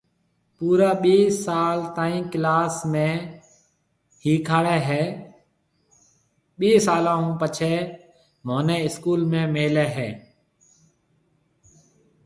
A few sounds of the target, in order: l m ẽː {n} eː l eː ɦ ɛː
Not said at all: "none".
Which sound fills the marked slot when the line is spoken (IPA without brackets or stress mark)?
m